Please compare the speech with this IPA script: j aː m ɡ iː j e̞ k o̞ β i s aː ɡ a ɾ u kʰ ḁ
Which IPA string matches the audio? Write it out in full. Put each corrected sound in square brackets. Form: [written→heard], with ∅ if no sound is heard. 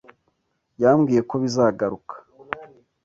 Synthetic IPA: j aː m ɡ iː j e̞ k o̞ β i [s→z] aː ɡ a ɾ u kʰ ḁ